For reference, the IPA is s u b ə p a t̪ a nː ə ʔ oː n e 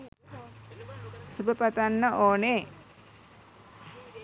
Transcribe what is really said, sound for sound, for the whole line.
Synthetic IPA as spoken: s u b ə p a t̪ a nː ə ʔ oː n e